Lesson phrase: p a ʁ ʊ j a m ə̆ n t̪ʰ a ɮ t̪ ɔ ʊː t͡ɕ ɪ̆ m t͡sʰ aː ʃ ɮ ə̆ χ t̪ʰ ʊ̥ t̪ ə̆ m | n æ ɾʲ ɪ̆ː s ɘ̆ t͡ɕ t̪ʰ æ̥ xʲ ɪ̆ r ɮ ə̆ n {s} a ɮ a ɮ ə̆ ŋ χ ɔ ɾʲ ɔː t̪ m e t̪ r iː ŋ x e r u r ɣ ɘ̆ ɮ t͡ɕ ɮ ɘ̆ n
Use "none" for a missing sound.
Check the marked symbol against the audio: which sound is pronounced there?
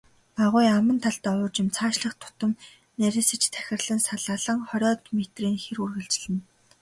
s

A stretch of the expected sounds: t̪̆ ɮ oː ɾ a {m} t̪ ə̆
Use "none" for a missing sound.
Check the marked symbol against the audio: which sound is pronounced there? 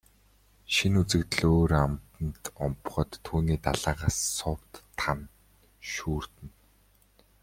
m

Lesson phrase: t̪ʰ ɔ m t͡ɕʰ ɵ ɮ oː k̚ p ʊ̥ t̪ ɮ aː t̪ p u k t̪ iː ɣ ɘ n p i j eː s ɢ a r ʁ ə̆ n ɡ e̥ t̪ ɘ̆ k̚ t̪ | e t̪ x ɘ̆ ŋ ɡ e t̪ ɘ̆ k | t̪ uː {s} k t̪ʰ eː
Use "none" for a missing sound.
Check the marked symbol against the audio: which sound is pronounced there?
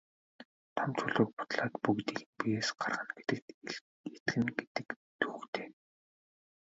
none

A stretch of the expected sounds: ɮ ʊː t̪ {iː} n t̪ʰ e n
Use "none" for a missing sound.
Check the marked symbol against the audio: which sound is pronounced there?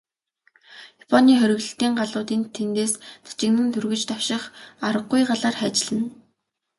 iː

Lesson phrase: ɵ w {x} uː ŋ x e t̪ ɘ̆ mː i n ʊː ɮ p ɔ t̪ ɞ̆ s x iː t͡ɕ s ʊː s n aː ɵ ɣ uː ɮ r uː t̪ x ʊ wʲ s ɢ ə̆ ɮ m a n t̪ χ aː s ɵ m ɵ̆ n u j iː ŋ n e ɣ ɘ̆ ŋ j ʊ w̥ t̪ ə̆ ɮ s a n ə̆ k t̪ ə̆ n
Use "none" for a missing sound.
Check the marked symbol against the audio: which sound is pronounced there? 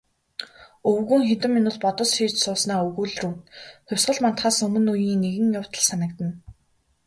ɣ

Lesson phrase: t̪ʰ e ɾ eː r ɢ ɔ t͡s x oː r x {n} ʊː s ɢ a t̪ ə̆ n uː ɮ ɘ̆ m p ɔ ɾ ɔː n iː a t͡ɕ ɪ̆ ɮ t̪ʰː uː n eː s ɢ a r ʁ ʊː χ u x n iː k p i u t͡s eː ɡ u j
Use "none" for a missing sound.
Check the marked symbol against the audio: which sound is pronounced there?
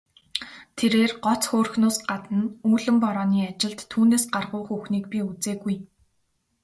n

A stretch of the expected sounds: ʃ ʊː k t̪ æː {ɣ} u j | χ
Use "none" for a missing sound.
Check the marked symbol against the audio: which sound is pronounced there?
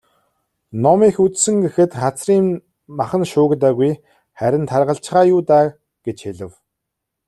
ɣ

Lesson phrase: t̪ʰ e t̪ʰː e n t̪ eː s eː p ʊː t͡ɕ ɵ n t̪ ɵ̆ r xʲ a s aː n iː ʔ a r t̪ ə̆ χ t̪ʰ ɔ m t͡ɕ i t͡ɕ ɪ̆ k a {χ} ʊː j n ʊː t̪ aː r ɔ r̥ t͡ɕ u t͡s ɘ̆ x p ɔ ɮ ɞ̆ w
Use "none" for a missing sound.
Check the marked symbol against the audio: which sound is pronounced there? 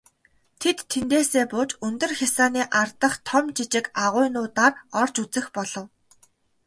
ʁ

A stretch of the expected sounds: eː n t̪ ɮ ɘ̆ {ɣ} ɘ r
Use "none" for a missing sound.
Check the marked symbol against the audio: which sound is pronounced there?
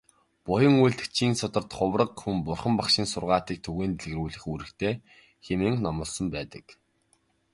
ɣ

